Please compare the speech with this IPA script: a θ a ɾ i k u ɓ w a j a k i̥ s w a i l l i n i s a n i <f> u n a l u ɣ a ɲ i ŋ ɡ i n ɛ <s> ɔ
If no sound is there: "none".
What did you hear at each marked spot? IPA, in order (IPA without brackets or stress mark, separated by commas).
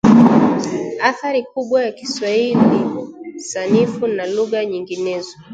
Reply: f, z